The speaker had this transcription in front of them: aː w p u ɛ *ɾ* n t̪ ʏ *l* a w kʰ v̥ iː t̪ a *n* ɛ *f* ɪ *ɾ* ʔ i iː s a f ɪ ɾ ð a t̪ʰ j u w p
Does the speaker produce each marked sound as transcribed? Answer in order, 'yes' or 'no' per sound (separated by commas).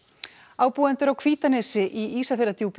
no, no, yes, no, no